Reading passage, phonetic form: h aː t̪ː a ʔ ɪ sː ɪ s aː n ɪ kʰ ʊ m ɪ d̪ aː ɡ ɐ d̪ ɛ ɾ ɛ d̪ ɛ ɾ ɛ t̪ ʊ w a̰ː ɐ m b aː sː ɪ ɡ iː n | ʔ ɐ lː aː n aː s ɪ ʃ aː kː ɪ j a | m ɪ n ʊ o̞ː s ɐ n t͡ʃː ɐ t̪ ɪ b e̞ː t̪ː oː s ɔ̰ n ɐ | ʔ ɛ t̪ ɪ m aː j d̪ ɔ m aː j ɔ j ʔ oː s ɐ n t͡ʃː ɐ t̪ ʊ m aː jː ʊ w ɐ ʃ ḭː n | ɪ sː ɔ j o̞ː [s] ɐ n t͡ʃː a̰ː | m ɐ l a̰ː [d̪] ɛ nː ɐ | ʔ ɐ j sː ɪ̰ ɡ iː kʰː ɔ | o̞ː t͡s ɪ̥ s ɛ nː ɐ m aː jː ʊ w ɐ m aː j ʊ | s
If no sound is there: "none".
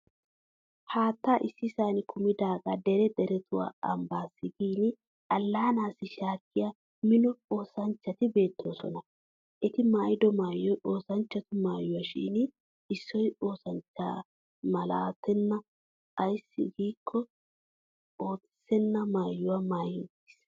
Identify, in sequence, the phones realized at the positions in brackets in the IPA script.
s, t̪

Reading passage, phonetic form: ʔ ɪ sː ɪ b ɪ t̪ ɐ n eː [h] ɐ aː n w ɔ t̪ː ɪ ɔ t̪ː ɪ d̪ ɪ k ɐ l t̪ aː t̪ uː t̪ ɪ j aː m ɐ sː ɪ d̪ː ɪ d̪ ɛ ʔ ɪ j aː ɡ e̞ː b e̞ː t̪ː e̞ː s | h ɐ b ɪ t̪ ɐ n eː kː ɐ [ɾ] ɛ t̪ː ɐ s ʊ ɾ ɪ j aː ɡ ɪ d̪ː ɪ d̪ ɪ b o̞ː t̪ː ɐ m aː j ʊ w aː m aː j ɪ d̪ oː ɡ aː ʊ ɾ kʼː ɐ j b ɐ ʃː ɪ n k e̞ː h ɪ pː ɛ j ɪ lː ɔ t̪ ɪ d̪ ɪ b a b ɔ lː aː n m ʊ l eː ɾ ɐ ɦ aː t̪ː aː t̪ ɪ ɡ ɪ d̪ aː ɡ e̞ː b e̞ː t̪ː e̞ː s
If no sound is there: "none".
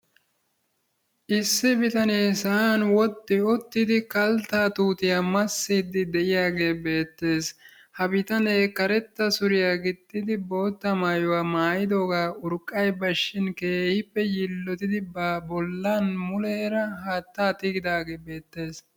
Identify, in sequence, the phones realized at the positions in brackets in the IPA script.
s, ɾ

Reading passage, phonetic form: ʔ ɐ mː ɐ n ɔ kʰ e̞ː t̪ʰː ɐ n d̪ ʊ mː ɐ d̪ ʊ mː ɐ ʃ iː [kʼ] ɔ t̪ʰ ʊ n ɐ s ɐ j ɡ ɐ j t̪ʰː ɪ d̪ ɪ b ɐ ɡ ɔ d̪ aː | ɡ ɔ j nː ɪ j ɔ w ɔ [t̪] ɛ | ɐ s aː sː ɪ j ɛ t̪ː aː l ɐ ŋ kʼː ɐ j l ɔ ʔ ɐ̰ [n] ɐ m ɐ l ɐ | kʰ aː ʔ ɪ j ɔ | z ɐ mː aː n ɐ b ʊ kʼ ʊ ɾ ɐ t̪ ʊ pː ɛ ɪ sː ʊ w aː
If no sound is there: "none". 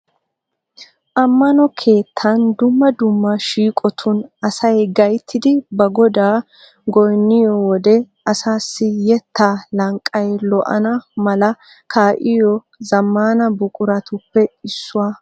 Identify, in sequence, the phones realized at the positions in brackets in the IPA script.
kʼ, d̪, n

